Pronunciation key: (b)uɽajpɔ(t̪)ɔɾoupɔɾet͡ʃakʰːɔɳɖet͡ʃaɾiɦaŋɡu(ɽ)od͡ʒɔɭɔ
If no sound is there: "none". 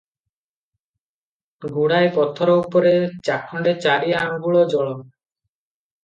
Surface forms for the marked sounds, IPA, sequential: ɡ, t̪ʰ, ɭ

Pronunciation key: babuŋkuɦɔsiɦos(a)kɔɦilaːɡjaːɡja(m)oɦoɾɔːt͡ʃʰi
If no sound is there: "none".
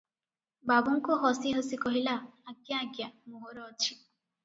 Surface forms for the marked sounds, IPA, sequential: i, m

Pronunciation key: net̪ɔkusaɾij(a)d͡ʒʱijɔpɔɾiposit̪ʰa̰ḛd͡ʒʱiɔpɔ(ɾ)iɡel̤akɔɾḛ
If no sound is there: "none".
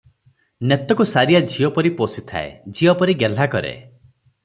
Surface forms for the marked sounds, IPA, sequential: a, ɾ

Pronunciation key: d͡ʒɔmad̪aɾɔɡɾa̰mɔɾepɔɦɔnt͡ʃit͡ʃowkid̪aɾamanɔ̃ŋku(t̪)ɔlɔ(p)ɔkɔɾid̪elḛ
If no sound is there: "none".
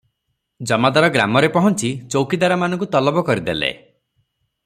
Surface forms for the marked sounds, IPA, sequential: t̪, b

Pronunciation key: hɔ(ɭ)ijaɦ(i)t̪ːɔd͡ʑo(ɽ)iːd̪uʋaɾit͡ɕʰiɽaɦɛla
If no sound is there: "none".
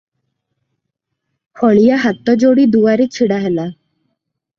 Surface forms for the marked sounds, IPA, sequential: ɭ, a, ɽ

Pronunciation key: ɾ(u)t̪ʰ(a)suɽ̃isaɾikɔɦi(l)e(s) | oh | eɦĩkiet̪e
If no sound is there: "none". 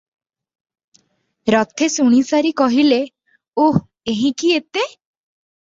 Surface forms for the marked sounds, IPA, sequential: ɔ, e, l, none

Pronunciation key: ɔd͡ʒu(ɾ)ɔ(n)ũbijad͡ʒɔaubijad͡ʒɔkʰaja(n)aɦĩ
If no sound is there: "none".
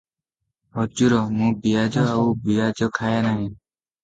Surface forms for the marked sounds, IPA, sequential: ɾ, m, n

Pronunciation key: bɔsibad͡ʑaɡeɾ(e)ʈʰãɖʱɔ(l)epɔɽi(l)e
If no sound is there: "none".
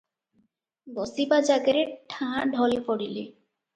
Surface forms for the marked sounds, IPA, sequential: e, l, l

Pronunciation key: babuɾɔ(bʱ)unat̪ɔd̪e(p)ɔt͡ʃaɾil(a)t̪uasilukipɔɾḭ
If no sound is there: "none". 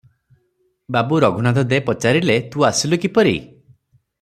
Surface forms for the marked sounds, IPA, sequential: ɡʱ, p, e

